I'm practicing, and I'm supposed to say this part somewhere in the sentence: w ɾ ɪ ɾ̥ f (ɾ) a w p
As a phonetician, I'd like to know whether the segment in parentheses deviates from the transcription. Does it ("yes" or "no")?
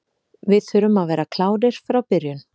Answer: no